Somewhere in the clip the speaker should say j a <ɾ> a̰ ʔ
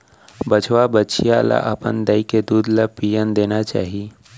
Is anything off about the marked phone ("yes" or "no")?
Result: yes